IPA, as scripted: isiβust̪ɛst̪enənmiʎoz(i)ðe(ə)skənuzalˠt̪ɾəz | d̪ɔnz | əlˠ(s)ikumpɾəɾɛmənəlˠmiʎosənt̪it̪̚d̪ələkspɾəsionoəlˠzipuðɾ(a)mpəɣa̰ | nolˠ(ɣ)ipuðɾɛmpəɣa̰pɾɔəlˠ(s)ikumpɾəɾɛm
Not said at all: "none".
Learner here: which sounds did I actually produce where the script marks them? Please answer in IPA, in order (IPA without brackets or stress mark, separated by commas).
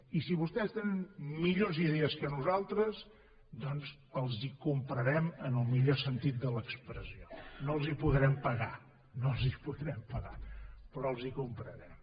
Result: i, ə, z, ɛ, z, z